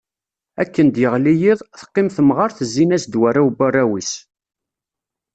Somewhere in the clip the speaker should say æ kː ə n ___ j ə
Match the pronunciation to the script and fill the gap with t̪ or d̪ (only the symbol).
d̪